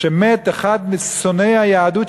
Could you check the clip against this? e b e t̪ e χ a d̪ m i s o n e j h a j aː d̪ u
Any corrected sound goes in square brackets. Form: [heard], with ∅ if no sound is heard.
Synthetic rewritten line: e [m] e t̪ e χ a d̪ m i s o n e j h a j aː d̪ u